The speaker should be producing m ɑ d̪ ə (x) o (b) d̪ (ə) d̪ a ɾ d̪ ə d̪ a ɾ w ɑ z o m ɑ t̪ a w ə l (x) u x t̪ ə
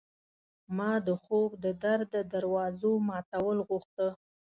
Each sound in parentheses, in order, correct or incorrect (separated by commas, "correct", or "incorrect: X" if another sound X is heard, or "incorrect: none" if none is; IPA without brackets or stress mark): correct, correct, correct, incorrect: ɣ